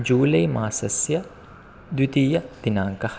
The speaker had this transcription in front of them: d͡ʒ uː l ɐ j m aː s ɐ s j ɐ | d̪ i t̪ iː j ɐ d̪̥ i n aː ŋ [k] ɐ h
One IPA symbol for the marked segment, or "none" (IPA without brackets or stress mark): k